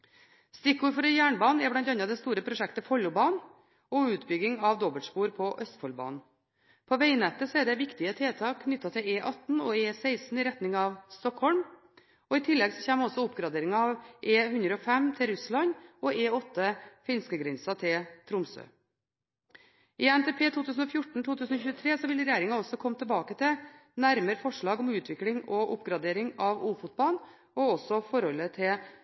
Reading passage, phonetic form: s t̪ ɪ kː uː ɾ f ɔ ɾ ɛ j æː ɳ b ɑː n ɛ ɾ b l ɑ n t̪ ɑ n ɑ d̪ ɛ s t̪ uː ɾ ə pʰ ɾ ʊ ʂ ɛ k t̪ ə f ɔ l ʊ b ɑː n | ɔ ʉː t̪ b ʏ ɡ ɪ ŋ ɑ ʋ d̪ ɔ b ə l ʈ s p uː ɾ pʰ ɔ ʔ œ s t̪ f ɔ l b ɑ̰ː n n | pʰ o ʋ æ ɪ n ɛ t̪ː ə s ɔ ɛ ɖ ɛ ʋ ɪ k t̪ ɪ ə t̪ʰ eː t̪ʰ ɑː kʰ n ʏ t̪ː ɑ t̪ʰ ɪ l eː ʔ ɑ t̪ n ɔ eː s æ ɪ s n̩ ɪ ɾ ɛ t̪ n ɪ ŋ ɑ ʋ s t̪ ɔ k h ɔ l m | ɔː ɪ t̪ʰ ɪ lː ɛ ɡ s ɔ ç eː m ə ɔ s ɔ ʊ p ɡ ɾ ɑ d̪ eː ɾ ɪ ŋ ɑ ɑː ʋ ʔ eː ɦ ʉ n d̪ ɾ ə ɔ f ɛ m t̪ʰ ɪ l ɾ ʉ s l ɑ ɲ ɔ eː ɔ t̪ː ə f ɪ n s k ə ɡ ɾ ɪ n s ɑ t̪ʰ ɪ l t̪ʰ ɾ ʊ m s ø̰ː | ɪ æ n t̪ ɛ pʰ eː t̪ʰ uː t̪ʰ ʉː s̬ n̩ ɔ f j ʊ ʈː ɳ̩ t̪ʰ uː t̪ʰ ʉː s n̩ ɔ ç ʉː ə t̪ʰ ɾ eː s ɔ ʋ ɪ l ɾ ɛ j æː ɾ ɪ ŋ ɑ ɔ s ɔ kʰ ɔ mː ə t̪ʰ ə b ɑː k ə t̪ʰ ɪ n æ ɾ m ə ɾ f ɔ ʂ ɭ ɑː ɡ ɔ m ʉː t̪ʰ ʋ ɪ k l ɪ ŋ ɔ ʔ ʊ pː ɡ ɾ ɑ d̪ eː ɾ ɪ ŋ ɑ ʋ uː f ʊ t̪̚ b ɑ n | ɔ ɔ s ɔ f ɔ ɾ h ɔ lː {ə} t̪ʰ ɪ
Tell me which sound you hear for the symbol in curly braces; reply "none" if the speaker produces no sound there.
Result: ə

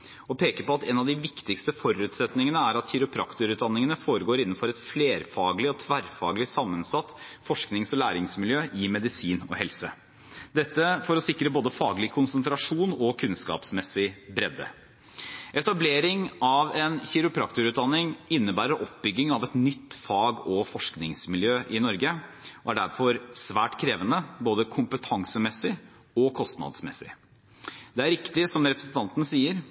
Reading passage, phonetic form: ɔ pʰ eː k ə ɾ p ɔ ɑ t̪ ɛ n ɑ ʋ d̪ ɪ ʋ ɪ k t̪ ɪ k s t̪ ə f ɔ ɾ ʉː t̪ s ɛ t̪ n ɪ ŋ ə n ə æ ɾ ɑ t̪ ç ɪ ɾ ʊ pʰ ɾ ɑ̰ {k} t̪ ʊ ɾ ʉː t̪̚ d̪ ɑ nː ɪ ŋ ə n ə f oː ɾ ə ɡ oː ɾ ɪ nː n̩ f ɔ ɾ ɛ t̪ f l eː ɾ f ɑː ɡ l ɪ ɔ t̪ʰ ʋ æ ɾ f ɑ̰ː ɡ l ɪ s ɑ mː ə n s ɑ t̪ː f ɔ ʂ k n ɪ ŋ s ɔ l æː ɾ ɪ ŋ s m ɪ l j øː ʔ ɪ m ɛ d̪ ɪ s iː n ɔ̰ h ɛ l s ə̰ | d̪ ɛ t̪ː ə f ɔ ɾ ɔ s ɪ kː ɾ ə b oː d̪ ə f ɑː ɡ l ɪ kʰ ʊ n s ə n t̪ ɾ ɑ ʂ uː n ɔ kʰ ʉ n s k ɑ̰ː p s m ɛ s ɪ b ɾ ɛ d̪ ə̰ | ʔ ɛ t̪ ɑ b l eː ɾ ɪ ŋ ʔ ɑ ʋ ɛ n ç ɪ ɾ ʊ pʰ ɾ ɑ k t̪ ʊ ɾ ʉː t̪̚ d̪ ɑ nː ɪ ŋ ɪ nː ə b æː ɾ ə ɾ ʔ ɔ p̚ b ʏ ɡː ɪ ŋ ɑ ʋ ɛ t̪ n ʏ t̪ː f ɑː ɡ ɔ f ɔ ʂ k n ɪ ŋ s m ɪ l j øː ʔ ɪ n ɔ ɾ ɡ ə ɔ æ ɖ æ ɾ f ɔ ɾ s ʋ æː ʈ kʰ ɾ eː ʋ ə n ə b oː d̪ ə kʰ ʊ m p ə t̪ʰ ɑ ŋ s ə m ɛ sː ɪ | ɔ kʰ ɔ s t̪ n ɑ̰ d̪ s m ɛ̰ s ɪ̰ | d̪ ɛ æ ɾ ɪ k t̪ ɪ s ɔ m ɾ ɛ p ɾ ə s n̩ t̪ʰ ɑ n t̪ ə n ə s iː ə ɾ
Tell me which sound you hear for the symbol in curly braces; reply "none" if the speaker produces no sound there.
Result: k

